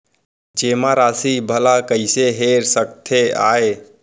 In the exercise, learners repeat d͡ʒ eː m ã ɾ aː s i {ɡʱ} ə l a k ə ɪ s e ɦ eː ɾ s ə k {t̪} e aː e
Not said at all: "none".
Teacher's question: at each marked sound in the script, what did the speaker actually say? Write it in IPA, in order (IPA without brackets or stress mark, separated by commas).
bʱ, t̪ʰ